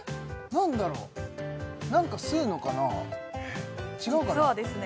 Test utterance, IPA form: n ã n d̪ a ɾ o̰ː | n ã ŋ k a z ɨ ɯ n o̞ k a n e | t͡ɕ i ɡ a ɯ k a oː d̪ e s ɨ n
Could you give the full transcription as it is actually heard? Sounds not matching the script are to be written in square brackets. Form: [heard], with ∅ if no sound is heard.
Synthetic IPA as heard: n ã n d̪ a ɾ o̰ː | n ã ŋ k a [s] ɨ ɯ n o̞ k a n [a] | t͡ɕ i ɡ a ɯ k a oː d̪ e s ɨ n